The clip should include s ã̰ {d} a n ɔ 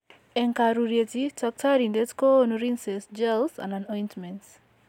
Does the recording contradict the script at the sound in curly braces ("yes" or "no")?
yes